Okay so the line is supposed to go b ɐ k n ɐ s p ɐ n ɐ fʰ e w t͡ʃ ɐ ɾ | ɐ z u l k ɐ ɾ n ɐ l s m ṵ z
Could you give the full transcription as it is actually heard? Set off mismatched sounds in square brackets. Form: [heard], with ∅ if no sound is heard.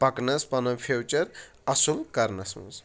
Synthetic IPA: [p] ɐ k n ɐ s p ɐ n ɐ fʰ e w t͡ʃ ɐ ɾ | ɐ [s] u l k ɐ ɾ n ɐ [∅] s m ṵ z